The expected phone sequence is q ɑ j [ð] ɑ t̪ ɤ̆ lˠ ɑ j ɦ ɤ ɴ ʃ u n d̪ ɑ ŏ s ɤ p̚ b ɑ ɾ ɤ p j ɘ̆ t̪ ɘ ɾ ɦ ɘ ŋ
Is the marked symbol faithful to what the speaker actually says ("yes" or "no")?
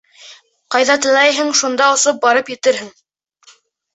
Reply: yes